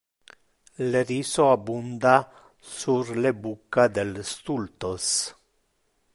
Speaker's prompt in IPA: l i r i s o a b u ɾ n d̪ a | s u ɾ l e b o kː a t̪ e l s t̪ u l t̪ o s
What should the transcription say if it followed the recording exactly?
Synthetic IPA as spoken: l e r i s o a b u n d̪ a | s u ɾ l e b u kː a d̪ e l s t̪ u l t̪ o s